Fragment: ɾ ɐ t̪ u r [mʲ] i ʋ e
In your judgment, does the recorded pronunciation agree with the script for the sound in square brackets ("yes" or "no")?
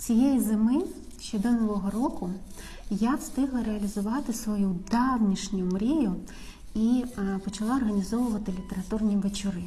no